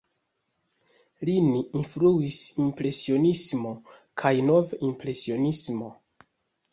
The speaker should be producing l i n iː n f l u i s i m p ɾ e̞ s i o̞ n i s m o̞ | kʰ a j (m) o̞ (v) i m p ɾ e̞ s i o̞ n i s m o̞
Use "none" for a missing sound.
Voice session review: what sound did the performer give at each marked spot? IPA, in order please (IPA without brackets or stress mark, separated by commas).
n, v